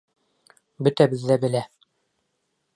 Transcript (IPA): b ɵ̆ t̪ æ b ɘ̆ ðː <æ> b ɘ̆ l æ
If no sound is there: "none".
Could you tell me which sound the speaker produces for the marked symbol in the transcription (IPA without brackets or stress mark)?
æ